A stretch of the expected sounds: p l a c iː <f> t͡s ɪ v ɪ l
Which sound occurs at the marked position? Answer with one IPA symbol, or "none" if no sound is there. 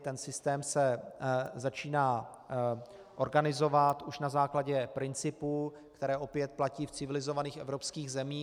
f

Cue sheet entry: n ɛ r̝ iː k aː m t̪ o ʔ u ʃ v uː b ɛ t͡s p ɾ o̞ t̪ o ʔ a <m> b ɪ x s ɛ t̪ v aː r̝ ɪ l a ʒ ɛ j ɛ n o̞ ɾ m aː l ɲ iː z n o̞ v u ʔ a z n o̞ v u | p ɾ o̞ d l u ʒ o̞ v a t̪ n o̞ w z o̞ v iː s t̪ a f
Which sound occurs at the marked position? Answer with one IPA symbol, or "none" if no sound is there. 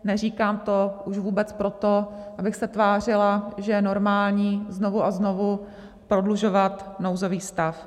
none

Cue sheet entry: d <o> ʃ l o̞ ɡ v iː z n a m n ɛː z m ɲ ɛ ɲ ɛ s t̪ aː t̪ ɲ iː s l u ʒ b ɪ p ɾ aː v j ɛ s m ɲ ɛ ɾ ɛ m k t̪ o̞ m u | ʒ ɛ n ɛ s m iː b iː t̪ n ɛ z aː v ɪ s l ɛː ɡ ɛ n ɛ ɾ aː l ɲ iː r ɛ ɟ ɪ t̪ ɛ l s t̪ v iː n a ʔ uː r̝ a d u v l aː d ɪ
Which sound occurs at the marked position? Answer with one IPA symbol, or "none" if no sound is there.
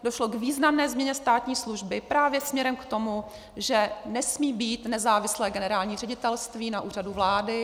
o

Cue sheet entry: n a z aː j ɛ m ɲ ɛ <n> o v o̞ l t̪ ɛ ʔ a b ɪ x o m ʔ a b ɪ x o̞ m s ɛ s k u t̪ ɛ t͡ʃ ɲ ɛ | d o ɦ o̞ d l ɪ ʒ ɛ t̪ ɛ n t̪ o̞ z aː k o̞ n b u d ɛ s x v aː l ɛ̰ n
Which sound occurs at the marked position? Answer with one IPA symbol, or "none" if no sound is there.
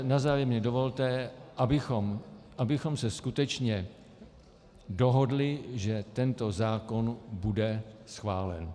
d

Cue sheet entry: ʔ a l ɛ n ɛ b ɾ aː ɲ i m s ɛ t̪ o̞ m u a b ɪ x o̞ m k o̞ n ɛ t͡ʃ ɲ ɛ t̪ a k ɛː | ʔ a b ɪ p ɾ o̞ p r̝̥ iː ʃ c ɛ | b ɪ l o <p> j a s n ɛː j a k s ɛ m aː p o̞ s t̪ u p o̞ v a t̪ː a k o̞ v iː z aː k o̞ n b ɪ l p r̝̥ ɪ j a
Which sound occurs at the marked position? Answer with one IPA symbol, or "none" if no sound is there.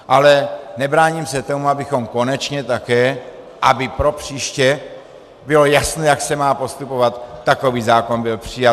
none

